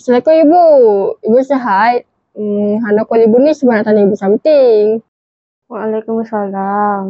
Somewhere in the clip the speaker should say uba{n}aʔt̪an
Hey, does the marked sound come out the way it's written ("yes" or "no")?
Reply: yes